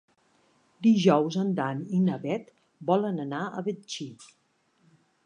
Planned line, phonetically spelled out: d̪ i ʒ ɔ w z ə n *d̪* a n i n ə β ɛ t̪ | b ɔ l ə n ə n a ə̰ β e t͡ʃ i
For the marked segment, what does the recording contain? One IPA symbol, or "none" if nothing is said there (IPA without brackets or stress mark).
d̪